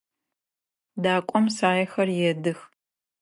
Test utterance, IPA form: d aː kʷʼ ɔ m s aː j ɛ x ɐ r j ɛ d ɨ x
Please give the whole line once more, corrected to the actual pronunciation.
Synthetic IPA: d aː kʷʼ ɔ m s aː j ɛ x ɐ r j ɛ d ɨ x